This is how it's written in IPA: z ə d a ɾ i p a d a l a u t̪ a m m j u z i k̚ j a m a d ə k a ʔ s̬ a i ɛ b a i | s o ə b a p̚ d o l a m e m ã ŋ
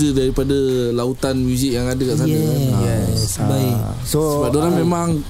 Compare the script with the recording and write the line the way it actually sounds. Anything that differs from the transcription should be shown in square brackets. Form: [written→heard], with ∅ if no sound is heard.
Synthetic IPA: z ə d a ɾ i p a d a l a u t̪ a [m→n] m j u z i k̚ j a [m→ŋ] a d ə k a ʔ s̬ a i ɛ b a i | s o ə b a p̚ d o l a m e m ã ŋ